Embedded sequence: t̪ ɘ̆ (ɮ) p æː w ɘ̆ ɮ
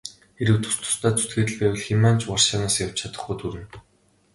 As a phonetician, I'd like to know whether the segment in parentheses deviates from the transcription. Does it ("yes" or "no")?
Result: no